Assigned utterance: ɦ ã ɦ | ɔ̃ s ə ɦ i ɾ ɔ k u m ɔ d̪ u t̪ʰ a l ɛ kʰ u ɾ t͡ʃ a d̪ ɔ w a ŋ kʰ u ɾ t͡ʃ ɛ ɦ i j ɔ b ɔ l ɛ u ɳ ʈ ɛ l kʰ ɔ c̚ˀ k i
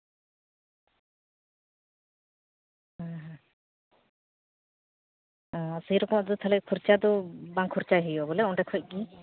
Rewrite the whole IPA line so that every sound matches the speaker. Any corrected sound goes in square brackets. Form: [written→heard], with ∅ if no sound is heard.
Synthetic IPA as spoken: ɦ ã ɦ | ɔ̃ s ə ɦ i ɾ ɔ k [u→ɔ] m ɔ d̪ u t̪ʰ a l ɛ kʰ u ɾ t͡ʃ a d̪ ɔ [w→b] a ŋ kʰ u ɾ t͡ʃ [ɛ→a] ɦ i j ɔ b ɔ l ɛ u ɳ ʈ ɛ [l→∅] kʰ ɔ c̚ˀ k i